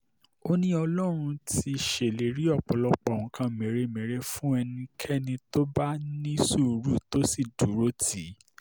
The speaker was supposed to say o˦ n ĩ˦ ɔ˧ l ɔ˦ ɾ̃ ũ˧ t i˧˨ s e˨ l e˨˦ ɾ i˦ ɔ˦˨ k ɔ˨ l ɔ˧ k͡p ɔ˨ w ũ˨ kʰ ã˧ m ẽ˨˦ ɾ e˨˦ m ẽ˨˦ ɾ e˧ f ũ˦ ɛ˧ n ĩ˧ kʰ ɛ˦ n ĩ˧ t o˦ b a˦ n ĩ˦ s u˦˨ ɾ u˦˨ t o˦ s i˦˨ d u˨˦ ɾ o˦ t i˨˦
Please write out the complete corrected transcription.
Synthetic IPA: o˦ n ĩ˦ ɔ˧ l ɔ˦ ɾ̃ ũ˧ t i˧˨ ʃ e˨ l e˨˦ ɾ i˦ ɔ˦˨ k͡p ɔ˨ l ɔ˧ k͡p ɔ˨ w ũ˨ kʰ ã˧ m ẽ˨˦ ɾ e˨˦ m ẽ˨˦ ɾ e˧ f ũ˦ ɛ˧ n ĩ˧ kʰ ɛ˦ n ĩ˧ t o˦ b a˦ n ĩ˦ s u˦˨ ɾ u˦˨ t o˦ s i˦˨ d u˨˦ ɾ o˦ t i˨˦